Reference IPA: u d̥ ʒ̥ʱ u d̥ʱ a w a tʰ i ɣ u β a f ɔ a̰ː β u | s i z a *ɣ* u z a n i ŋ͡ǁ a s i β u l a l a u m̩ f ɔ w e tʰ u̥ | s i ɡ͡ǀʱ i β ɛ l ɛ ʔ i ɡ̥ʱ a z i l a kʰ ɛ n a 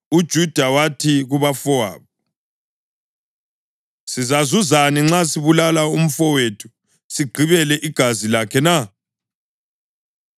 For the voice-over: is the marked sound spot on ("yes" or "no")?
no